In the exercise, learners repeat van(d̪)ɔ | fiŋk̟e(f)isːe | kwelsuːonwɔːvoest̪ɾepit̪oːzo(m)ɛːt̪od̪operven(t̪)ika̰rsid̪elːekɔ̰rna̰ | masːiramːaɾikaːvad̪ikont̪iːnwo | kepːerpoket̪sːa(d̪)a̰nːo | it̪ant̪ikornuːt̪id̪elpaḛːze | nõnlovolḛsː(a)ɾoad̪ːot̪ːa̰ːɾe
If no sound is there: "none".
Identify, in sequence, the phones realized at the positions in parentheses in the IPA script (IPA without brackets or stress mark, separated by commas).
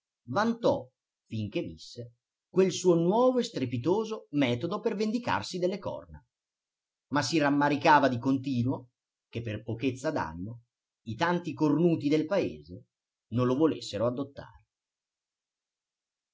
t̪, v, m, d̪, d̪, e